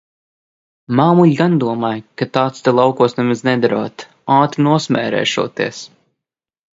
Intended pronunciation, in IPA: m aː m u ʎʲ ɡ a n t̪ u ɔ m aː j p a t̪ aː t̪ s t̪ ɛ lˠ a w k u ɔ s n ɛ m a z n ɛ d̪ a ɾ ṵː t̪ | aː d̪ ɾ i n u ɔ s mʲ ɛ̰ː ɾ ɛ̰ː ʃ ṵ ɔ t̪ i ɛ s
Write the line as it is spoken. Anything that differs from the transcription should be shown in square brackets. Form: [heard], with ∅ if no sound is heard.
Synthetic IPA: m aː m u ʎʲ ɡ a n [d̪] u ɔ m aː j [k] a t̪ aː t̪ s t̪ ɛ lˠ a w k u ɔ s n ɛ m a z n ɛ d̪ a ɾ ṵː t̪ | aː [t̪] ɾ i n u ɔ s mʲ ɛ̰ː ɾ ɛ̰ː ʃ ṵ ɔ t̪ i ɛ s